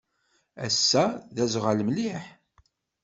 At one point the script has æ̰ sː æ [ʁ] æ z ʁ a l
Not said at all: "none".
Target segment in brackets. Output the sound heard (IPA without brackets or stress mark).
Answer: ð